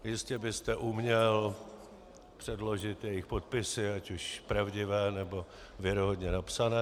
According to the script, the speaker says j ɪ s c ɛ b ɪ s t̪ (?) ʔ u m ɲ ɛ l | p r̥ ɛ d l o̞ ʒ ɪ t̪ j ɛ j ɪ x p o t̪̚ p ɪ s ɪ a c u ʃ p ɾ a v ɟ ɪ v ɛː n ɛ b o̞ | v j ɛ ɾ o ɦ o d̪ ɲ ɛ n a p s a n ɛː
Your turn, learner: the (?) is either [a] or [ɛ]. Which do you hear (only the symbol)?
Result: ɛ